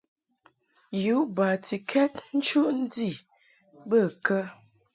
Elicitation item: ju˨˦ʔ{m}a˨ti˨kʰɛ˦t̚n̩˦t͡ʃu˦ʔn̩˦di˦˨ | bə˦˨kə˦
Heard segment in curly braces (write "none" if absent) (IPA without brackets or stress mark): b